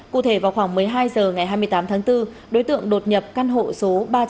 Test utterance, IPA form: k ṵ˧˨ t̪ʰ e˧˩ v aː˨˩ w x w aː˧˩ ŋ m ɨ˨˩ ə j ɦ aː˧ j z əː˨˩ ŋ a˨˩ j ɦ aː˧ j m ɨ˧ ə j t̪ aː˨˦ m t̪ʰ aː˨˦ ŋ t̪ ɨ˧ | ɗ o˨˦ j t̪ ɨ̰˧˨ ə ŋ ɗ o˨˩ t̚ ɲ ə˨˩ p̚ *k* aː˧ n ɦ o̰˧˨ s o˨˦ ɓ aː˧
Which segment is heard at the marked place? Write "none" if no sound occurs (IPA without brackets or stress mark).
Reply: k